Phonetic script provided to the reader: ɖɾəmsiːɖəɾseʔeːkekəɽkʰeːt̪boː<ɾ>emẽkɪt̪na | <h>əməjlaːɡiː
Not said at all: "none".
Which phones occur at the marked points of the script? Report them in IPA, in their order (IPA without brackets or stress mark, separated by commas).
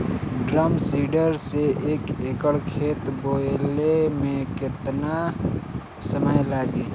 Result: l, s